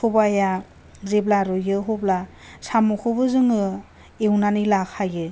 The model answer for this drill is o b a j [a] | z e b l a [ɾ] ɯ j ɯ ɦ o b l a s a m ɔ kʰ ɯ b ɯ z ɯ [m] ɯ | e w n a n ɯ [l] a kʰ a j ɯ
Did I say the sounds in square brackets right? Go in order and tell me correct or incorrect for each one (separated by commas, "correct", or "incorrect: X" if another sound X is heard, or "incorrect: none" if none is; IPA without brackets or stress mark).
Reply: correct, correct, incorrect: ŋ, correct